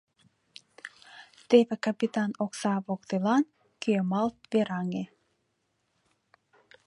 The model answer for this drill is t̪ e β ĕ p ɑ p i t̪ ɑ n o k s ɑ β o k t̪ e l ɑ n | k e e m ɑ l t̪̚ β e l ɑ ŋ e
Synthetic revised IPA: t̪ e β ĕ k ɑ p i t̪ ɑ n o k s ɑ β o k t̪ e l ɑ n | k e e m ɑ l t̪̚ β e ɾ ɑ ŋ e